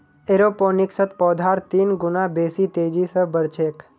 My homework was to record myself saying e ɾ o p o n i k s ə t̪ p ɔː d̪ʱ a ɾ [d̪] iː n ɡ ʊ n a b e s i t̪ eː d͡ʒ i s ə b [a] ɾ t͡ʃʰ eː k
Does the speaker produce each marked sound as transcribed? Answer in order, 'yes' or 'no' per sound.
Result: no, no

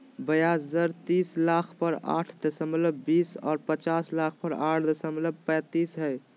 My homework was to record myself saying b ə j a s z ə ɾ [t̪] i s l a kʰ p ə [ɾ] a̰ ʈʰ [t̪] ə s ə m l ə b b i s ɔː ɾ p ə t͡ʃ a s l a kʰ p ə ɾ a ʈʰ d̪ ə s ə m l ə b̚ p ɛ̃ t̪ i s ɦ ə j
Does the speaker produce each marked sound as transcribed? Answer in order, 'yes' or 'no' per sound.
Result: yes, yes, no

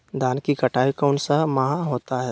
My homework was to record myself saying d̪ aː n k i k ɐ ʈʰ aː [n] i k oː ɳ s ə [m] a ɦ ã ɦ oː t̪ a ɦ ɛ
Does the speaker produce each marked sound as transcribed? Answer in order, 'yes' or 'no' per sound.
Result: no, yes

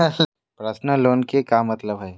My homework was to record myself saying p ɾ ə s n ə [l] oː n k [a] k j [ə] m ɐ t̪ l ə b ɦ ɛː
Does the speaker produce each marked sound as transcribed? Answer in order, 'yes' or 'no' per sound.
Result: yes, no, no

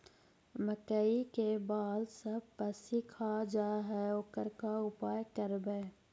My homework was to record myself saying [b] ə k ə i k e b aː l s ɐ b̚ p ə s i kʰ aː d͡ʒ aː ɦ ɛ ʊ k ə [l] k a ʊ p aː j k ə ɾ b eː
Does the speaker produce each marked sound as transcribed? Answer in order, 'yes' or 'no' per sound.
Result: no, no

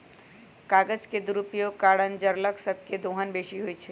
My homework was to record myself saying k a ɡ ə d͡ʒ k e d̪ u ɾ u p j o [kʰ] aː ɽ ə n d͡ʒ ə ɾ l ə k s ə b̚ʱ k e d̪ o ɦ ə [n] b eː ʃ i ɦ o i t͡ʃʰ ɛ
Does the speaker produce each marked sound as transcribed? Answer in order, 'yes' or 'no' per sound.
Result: no, yes

